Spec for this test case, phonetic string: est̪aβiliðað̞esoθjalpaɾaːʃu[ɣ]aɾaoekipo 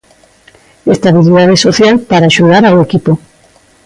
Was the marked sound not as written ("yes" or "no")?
yes